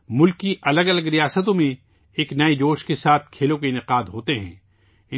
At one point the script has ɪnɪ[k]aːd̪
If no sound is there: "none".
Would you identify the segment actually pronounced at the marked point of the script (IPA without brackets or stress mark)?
q